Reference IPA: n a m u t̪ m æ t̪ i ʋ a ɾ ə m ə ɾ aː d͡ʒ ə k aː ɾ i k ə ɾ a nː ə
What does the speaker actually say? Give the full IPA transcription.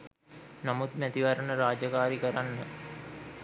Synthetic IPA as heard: n a m u t̪ m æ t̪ i ʋ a ɾ ə n ə ɾ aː d͡ʒ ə k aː ɾ i k ə ɾ a nː ə